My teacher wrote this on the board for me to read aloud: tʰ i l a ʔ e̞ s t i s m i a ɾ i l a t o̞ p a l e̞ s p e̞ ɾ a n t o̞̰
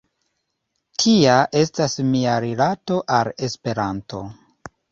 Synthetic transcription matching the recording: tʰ i a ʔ e̞ s t a s m i a ɾ i l a t o̞ ʔ a l e̞ s p e̞ ɾ a n t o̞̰